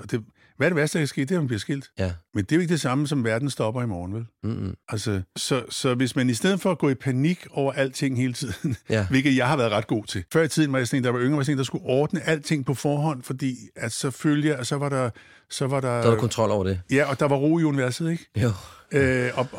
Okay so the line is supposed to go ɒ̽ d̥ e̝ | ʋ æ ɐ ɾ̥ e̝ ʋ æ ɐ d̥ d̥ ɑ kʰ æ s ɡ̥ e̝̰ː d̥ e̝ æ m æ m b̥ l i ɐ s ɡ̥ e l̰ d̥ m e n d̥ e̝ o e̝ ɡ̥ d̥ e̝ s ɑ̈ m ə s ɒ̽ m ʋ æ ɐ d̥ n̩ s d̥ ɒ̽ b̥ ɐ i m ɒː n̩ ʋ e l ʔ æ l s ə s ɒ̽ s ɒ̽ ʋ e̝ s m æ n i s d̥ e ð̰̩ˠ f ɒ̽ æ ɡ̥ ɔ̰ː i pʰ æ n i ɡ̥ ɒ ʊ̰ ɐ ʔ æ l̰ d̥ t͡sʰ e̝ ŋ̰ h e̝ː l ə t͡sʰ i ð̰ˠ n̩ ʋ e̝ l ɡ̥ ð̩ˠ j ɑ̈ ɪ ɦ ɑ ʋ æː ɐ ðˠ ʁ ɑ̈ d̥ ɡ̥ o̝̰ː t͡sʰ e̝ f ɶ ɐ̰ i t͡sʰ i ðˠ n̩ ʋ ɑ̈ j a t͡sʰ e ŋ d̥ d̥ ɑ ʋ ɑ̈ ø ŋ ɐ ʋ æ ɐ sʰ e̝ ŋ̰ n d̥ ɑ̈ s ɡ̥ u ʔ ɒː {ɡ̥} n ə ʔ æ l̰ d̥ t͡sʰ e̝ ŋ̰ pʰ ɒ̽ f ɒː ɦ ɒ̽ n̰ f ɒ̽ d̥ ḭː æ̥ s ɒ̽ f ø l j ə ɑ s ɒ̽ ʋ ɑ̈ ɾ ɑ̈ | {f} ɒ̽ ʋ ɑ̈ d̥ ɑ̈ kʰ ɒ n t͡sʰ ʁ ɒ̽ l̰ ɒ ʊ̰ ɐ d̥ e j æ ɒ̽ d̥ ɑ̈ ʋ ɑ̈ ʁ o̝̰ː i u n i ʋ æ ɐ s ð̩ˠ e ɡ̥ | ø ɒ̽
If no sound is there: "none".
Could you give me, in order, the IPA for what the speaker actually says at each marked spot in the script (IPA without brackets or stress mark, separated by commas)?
d̥, s